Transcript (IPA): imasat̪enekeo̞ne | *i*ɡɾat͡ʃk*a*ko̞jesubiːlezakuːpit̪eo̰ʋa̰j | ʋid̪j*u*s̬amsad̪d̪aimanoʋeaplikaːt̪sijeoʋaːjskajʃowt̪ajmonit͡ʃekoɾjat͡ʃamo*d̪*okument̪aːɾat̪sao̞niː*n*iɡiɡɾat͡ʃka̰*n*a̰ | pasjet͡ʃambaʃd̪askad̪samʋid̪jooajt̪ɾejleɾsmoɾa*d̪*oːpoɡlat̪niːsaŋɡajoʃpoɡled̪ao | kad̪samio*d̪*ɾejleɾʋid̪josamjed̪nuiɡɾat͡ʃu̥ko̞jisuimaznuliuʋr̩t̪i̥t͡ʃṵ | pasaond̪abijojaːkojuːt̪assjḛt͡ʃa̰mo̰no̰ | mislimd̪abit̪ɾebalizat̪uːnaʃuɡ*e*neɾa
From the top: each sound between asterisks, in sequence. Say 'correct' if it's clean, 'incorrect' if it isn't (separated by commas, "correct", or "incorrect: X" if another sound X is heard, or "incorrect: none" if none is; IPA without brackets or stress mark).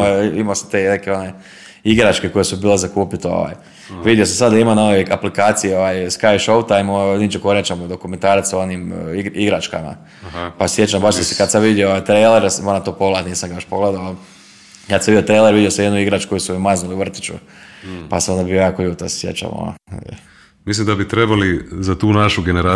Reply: correct, incorrect: e, incorrect: o, correct, incorrect: m, incorrect: m, incorrect: t̪, incorrect: t̪, correct